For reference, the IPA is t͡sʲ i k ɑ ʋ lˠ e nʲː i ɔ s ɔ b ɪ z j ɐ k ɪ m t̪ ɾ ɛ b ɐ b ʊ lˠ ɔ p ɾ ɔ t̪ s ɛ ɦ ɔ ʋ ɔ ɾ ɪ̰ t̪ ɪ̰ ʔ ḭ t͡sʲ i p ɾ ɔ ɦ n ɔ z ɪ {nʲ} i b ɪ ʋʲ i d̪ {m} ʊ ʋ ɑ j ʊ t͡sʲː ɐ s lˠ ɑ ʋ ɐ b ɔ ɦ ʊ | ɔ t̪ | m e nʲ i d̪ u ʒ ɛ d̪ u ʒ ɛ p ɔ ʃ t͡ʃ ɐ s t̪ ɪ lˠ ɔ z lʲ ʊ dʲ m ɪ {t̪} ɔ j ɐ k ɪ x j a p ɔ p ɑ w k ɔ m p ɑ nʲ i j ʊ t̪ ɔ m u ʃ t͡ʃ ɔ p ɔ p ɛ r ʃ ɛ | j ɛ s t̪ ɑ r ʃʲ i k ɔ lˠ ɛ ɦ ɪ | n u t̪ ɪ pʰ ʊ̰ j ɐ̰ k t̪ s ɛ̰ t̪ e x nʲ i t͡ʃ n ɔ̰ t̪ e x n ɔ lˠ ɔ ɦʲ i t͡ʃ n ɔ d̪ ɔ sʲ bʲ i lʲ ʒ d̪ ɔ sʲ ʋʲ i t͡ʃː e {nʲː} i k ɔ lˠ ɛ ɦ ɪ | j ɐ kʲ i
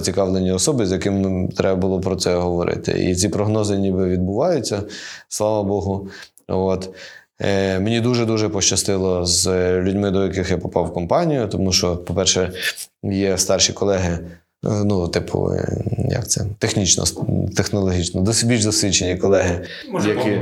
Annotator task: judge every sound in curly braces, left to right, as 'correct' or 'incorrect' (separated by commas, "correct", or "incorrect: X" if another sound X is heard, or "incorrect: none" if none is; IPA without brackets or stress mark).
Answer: correct, incorrect: b, incorrect: d̪, incorrect: nʲ